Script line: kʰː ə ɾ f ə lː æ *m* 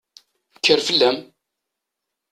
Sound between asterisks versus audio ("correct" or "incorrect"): correct